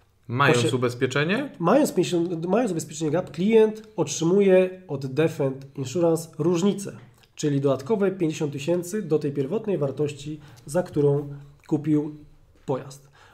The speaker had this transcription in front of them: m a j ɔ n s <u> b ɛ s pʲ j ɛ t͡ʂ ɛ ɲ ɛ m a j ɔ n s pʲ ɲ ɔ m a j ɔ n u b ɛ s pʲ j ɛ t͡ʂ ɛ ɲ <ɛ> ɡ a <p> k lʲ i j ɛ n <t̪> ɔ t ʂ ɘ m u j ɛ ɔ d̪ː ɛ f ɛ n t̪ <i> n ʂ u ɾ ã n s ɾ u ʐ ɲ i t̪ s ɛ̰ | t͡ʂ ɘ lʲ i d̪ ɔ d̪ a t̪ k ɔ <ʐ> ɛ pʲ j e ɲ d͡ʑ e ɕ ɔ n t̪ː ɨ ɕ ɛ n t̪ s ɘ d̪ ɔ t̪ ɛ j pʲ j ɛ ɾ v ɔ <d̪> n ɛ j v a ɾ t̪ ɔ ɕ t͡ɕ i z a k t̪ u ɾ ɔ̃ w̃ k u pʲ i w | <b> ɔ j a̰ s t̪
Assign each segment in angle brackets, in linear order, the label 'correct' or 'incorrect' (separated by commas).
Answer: correct, correct, correct, correct, correct, incorrect, incorrect, incorrect